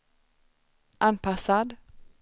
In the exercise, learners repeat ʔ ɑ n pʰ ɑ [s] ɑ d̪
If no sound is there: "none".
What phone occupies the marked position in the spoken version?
s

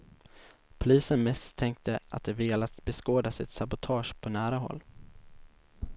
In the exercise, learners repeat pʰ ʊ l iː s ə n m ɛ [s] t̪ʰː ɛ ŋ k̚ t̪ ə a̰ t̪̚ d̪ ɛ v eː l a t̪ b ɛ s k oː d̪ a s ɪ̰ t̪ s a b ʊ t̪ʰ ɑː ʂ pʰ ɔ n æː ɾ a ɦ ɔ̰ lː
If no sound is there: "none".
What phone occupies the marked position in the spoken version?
s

